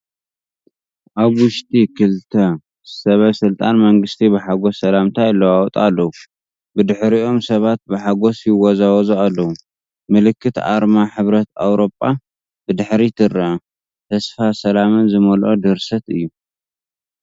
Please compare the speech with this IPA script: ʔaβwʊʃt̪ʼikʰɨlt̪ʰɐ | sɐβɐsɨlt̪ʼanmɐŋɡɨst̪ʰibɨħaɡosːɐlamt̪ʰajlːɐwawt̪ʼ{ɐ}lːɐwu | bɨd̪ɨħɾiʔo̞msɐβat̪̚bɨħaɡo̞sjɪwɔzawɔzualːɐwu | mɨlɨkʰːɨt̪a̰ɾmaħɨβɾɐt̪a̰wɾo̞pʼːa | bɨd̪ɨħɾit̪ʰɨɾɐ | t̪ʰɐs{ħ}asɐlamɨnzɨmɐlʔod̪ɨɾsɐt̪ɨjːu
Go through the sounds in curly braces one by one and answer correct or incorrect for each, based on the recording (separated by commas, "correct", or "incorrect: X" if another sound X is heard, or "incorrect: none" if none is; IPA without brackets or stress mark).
incorrect: a, incorrect: f